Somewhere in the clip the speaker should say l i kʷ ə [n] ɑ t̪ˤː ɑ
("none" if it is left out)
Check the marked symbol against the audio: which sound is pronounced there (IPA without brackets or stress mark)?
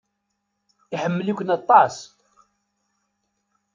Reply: n